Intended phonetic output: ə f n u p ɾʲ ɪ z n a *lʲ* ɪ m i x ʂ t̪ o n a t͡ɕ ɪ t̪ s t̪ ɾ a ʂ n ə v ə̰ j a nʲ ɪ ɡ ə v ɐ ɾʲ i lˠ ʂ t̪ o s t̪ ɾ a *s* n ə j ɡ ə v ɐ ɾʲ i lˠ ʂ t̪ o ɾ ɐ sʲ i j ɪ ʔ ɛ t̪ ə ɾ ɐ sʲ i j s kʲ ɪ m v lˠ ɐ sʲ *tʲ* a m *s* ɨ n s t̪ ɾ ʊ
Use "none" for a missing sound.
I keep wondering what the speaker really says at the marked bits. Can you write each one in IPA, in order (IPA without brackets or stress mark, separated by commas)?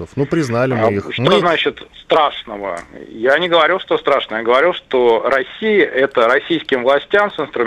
lʲ, ʂ, tʲ, s